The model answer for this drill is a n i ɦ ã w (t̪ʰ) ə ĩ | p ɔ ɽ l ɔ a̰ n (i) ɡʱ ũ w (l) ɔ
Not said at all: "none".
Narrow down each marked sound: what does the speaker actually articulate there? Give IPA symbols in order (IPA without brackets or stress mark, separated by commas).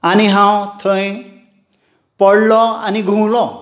t̪ʰ, i, l